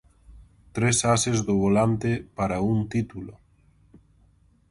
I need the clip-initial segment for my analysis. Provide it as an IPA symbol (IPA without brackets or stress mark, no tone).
t̪